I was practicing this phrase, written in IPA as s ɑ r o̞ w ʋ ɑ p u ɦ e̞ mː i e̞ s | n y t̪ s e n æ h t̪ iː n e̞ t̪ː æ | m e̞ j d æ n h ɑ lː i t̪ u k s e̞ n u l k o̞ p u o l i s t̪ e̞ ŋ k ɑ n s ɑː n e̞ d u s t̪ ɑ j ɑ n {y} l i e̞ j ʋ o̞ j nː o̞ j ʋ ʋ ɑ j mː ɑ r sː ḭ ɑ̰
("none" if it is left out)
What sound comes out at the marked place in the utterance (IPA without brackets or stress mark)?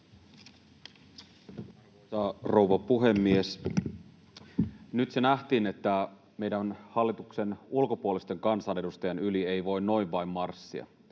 y